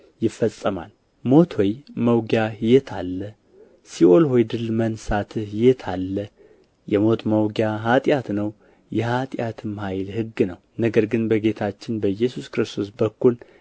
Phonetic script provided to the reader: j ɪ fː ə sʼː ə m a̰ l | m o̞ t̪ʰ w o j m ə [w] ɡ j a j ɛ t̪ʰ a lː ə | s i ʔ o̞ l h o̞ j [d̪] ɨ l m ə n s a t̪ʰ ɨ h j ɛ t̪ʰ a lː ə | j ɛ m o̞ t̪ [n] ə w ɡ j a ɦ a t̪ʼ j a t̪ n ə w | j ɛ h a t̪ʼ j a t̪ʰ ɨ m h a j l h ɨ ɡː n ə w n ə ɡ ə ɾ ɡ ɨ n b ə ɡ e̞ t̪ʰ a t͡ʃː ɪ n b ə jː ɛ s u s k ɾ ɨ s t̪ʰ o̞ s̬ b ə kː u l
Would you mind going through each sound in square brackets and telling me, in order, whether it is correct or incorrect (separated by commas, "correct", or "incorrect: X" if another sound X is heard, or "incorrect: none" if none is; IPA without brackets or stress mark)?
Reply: correct, correct, incorrect: m